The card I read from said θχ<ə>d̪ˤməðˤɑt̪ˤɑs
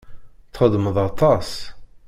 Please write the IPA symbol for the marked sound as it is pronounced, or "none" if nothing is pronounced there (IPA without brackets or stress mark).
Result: ə